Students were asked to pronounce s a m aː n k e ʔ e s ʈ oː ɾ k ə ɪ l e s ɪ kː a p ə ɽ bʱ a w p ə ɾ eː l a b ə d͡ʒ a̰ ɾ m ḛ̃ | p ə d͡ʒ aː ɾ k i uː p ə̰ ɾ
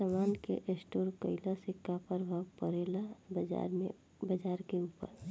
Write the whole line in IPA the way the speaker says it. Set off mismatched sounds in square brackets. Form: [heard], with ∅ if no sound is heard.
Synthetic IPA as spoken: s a m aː n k e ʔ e s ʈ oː ɾ k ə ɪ l [a] s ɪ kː a p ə [ɾ] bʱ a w p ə ɾ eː l a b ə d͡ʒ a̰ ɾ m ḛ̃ | [b] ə d͡ʒ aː ɾ k [e] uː p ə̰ ɾ

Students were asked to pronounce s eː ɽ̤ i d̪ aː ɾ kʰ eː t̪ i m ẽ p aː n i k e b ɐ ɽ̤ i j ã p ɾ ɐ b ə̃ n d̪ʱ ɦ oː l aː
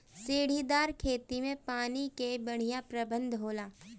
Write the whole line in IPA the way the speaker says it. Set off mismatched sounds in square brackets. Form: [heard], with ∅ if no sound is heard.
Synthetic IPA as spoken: s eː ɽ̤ i d̪ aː ɾ kʰ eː t̪ i m ẽ p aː n i k e b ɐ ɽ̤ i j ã p ɾ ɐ b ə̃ n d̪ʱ ɦ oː l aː

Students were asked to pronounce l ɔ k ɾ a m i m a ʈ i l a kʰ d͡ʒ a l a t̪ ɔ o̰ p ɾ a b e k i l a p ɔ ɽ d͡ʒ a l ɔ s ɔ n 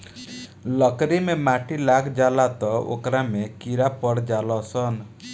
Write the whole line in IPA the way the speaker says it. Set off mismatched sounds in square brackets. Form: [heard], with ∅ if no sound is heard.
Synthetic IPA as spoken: l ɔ k ɾ [i] m [e] m a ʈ i l a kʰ d͡ʒ a l a t̪ ɔ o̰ [k] ɾ a [m] e k i [ɾ] a p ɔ ɽ d͡ʒ a l ɔ s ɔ n

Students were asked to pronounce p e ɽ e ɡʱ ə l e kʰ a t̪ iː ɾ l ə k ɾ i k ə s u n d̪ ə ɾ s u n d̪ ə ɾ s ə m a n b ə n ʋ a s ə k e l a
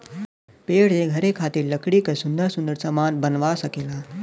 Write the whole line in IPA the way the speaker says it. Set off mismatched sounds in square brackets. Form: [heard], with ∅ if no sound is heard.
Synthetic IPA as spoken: p e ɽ e ɡʱ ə [ɾ] e kʰ a t̪ iː ɾ l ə k [ɽ] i k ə s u n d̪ ə ɾ s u n d̪ ə ɾ s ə m a n b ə n ʋ a s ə k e l a

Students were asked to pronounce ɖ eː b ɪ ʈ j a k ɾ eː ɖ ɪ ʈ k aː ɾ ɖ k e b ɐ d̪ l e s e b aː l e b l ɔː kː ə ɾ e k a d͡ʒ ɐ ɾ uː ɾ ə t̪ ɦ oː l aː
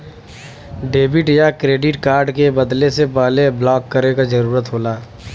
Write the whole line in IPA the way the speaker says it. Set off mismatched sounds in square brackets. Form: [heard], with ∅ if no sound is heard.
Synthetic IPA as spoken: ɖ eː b ɪ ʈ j a k ɾ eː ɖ ɪ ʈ k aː ɾ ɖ k e b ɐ d̪ l e s e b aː l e b l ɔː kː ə ɾ e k a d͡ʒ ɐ ɾ uː ɾ ə t̪ ɦ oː l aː

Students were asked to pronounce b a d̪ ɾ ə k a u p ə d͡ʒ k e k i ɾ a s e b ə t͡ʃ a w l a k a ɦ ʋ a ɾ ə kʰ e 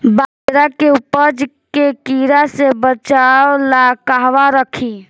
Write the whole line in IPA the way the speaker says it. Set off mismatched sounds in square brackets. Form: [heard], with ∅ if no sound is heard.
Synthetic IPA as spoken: b a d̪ ɾ [a] k [e] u p ə d͡ʒ k e k i ɾ a s e b ə t͡ʃ a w l a k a ɦ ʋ a ɾ ə kʰ [i]

